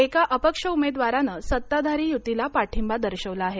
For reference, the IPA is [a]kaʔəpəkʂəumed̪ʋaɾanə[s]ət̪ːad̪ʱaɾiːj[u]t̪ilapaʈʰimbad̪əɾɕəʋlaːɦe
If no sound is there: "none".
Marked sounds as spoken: e, s, u

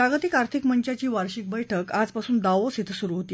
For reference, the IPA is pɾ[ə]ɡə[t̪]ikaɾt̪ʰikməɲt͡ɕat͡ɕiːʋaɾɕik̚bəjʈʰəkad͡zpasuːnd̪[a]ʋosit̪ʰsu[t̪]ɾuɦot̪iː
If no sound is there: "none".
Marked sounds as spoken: a, t̪, a, none

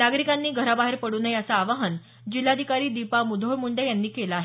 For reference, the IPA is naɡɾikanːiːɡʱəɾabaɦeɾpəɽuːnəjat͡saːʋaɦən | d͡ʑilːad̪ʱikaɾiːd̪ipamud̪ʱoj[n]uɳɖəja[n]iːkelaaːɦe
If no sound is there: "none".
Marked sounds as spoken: m, nː

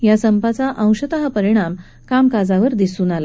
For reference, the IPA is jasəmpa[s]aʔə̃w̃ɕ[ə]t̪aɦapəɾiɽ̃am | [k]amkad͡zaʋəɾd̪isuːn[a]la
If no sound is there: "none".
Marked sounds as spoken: t͡s, ə, k, a

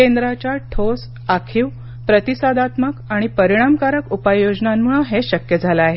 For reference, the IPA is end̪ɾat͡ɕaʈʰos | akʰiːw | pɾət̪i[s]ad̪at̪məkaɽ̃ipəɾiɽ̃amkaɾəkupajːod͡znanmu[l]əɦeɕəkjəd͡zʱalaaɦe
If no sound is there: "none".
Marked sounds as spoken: s, ɭ

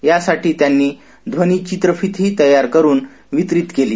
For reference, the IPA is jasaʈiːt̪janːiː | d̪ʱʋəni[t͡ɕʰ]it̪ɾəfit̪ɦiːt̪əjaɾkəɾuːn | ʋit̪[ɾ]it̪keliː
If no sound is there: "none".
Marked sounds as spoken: t͡ɕ, ɾ

